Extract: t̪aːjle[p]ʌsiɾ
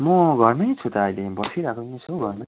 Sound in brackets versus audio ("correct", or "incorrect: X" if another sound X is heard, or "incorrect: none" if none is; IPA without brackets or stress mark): incorrect: b